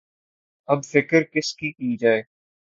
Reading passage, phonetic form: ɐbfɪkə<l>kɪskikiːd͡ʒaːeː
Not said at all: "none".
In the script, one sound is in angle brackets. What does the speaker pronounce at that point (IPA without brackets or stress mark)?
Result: ɾ